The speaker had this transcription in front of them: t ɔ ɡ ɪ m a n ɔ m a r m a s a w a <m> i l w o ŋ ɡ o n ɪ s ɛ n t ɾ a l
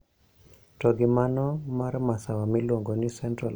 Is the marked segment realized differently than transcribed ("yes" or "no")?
no